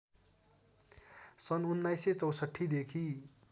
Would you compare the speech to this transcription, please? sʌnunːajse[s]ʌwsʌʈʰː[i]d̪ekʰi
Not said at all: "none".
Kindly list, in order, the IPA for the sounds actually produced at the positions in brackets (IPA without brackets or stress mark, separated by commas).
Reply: t͡s, i